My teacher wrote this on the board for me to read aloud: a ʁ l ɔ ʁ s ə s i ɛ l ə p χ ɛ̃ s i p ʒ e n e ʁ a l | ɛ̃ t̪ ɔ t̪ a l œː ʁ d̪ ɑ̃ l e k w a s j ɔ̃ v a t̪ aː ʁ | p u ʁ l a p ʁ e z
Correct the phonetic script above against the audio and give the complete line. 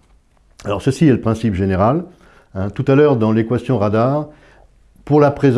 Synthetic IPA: a l ɔ ʁ s ə s i ɛ l ə p χ ɛ̃ s i p ʒ e n e ʁ a l | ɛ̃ t̪ u t̪ a l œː ʁ d̪ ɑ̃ l e k w a s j ɔ̃ ʁ a d̪ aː ʁ | p u ʁ l a p χ e z